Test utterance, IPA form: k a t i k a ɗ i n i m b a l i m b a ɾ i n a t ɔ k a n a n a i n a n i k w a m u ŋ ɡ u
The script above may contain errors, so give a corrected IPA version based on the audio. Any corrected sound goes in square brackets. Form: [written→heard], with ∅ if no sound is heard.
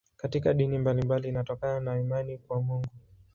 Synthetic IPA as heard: k a t i k a ɗ i n i m b a l i m b a [ɾ→l] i n a t ɔ k a n a n a i [n→m] a n i k w a m u ŋ ɡ u